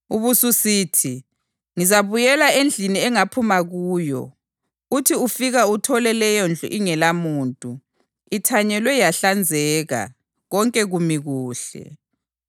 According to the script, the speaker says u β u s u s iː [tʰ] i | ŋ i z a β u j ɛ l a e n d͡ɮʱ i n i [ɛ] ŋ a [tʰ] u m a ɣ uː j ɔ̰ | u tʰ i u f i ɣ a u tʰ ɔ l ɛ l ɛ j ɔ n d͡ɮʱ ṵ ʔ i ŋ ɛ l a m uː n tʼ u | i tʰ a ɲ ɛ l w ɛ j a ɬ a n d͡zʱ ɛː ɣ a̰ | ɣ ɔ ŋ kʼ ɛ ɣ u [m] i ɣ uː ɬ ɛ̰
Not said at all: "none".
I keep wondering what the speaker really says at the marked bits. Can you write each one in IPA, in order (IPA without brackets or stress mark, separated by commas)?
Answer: tʰ, ɛ, pʰ, m